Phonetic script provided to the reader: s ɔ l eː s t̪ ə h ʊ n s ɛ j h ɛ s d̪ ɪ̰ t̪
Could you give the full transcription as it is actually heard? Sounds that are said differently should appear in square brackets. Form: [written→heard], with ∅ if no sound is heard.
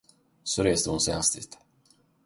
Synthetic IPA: s ɔ [l→ɾ] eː s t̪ ə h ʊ n s ɛ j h [ɛ→a] s [d̪→t̪] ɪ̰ t̪